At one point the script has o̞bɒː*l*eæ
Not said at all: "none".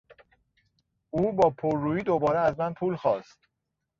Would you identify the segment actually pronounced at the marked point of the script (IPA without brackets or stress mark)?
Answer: ɾ